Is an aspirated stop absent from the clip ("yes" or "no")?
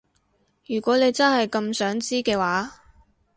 yes